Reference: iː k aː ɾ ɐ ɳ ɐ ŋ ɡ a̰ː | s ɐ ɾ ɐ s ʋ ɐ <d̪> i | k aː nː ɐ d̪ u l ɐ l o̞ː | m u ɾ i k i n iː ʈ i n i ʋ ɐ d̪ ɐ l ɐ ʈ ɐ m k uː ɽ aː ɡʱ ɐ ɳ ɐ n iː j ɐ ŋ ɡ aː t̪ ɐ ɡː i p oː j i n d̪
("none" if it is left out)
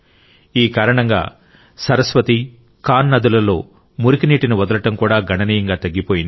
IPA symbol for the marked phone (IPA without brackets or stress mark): t̪